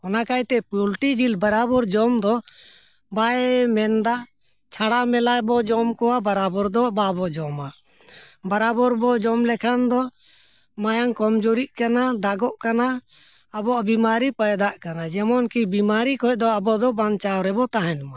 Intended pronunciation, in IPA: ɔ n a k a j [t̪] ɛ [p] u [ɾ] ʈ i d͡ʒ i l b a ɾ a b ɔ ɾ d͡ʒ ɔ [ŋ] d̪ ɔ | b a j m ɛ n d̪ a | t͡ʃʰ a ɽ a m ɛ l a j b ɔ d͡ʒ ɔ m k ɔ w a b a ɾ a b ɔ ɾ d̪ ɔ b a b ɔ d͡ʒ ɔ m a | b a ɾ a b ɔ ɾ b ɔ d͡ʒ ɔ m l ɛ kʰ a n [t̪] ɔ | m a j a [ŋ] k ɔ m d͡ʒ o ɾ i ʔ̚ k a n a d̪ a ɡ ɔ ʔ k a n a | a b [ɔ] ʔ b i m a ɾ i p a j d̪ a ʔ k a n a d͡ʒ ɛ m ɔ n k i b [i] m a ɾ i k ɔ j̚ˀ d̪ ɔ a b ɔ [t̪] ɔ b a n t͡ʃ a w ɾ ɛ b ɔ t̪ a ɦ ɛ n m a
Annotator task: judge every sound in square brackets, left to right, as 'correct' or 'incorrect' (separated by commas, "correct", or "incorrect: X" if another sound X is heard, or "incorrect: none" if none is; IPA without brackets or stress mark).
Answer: correct, correct, incorrect: l, incorrect: m, incorrect: d̪, correct, correct, correct, incorrect: d̪